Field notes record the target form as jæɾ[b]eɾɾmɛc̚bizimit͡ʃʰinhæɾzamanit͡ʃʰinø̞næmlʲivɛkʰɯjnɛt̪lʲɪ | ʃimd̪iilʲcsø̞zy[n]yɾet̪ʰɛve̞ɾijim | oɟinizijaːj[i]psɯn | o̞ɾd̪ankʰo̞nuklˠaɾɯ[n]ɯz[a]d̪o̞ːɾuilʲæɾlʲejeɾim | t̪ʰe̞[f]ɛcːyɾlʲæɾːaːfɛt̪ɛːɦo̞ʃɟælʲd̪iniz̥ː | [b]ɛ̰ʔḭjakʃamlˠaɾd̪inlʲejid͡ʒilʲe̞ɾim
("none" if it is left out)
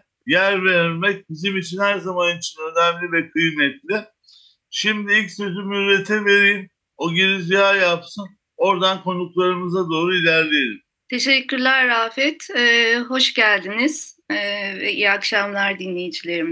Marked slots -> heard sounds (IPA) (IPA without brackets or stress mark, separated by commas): v, m, a, m, a, ʃ, v